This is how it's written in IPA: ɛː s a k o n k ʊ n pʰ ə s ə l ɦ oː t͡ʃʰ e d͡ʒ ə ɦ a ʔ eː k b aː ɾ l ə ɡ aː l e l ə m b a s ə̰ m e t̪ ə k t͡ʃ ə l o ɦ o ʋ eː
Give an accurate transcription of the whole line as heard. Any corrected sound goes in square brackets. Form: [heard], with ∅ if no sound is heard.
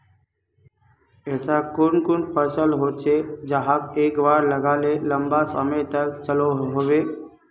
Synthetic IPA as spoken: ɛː s a k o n k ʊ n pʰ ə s ə l ɦ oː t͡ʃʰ e d͡ʒ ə ɦ a [k] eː k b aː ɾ l ə ɡ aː l e l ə m b a s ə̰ m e t̪ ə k t͡ʃ ə l o ɦ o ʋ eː